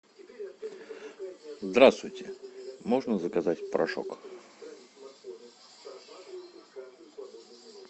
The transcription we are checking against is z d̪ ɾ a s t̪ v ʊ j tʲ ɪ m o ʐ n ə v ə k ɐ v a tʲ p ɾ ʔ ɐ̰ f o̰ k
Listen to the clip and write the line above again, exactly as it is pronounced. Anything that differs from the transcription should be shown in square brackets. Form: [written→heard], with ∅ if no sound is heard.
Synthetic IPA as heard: z d̪ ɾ a s t̪ v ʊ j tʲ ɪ m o ʐ n ə [v→z] ə k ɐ [v→z] a tʲ p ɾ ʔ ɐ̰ [f→ʂ] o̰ k

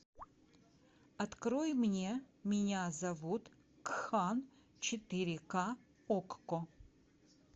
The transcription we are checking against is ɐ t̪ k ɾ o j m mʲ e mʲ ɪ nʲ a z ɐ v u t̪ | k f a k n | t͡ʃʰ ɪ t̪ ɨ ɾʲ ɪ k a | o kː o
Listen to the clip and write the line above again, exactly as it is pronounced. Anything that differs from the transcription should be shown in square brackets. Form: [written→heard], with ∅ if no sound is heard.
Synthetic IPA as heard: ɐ t̪ k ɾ o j m [mʲ→nʲ] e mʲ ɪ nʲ a z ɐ v u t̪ | k [f→x] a [k→∅] n | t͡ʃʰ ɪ t̪ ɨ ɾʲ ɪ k a | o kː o

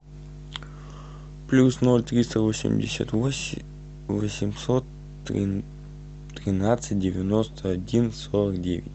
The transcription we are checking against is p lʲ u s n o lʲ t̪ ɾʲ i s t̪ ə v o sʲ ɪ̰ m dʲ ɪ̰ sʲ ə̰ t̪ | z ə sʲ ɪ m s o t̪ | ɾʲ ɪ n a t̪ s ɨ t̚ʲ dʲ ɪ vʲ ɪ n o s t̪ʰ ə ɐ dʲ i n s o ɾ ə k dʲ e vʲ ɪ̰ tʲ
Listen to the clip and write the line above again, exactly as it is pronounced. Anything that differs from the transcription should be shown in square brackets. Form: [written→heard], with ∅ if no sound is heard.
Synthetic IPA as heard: p lʲ u s n o lʲ t̪ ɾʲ i s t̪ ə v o sʲ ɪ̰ m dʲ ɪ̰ sʲ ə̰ t̪ | [z→v] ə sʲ ɪ m s o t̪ | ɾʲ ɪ n a t̪ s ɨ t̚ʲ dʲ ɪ vʲ ɪ n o s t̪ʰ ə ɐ dʲ i n s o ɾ ə k dʲ e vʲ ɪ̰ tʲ

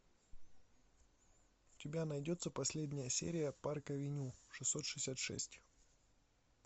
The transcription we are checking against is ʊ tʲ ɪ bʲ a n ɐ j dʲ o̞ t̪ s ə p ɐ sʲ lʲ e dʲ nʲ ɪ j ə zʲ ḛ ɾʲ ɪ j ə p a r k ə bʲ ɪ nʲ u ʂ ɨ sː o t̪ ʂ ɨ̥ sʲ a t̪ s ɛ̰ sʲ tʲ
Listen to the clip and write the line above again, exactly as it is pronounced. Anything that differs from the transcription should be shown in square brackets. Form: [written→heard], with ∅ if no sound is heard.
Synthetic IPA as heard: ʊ tʲ ɪ bʲ a n ɐ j dʲ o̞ t̪ s ə p ɐ sʲ lʲ e dʲ nʲ ɪ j ə [zʲ→sʲ] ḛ ɾʲ ɪ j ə p a r k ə [bʲ→vʲ] ɪ nʲ u ʂ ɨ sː o t̪ ʂ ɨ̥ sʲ a t̪ [s→ʂ] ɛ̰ sʲ tʲ

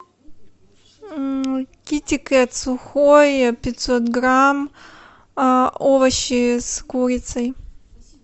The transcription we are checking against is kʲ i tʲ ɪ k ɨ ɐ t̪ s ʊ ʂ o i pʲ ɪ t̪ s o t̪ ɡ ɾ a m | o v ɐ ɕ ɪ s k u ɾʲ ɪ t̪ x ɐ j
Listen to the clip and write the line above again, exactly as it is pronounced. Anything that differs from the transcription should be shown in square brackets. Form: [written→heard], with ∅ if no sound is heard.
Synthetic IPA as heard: kʲ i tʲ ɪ k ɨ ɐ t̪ s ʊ [ʂ→x] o [i→j] pʲ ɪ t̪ s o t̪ ɡ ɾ a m | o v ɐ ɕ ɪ s k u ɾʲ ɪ t̪ [x→s] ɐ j

